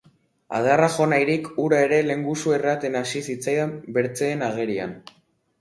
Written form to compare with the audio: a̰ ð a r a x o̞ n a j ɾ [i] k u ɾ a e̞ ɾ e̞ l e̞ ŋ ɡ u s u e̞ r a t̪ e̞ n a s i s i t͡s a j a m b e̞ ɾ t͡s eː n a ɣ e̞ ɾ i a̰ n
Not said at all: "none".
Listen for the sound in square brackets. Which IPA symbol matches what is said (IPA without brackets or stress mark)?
i